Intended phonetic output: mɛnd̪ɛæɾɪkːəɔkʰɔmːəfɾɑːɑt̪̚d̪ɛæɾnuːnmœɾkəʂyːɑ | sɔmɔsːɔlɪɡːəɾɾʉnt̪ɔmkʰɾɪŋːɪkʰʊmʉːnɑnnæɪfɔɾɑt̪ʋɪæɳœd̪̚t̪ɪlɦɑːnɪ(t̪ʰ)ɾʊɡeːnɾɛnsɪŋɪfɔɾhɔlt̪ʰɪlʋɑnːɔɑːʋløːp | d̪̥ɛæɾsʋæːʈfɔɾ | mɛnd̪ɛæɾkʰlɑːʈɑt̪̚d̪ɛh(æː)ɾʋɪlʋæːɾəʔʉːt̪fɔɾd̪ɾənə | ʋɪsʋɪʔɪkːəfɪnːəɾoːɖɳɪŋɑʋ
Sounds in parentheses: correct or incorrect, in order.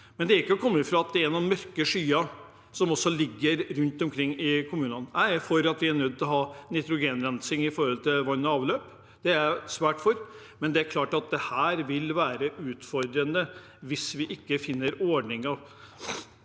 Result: incorrect, correct

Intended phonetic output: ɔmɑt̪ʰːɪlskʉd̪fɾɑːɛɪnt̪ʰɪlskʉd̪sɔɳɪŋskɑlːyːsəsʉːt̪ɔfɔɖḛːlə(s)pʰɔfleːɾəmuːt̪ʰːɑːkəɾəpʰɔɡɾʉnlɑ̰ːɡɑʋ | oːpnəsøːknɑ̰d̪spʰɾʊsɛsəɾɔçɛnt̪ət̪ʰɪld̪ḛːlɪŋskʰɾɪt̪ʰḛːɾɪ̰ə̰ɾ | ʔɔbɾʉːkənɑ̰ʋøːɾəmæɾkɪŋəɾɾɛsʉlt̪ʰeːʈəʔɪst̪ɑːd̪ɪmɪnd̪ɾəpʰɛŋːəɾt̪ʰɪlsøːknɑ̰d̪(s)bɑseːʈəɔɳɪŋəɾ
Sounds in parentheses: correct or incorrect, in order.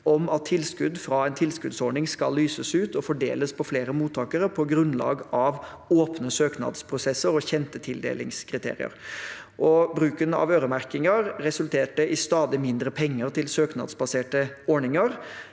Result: correct, correct

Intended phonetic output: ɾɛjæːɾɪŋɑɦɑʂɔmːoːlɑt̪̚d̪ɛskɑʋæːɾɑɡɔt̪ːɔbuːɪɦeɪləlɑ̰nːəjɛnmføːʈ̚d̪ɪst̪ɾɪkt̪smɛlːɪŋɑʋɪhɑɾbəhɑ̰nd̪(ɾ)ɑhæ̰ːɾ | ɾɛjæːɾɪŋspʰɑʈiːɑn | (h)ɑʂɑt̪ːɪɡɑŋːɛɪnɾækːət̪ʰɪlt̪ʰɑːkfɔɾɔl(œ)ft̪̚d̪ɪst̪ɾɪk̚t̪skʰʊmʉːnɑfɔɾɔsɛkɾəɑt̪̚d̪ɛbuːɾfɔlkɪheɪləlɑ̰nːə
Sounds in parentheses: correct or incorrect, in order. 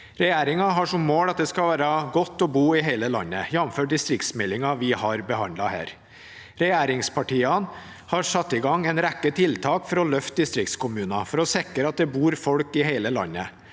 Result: incorrect, correct, correct

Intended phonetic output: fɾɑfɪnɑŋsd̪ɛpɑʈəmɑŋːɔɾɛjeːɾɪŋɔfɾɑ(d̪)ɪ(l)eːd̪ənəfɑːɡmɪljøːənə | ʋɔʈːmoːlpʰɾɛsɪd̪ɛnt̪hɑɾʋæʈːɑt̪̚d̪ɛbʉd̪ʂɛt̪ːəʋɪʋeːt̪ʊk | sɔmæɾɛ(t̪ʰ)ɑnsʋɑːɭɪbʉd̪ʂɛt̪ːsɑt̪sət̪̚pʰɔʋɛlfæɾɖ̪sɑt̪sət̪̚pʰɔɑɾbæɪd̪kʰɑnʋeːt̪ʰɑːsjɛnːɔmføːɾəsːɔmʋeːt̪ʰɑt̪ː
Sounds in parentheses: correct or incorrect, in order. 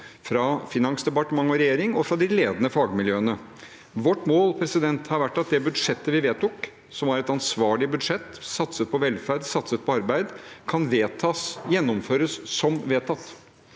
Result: correct, correct, incorrect

